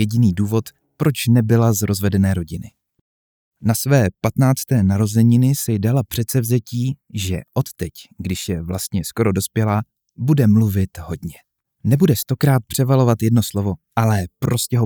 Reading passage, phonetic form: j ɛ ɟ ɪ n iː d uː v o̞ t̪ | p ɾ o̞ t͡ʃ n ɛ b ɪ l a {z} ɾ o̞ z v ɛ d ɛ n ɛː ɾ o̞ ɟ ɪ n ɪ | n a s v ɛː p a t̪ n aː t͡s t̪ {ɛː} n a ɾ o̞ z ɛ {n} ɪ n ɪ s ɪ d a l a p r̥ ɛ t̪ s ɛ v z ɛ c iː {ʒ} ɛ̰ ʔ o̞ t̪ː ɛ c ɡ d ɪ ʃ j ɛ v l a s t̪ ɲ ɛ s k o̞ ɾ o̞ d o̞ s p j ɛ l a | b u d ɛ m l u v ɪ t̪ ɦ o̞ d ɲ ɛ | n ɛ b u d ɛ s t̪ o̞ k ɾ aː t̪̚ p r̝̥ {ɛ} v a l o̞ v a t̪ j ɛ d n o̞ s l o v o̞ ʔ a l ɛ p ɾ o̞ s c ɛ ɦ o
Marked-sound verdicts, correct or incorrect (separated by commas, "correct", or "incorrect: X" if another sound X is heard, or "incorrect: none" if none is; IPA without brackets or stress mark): correct, correct, incorrect: ɲ, correct, correct